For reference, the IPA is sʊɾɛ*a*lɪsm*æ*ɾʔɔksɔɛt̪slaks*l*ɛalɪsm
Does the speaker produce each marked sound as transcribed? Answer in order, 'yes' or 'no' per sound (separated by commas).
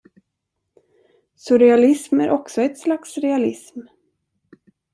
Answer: yes, yes, no